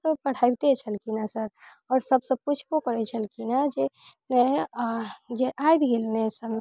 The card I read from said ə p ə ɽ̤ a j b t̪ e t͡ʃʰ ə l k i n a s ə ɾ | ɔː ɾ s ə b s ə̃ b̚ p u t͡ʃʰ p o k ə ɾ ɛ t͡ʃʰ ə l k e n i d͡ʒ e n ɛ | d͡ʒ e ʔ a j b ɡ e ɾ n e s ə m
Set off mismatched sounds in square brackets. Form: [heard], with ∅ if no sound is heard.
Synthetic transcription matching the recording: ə p ə ɽ̤ a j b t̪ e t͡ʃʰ ə l k i n a s ə ɾ | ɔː ɾ s ə b s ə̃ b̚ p u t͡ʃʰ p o k ə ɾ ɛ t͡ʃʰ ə l k [i] n [a] d͡ʒ e n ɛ | d͡ʒ e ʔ a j b ɡ e [l] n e s ə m